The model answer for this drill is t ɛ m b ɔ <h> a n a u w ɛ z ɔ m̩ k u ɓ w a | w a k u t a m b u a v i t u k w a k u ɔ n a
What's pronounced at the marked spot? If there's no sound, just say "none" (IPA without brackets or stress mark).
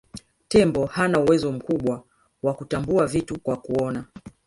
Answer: h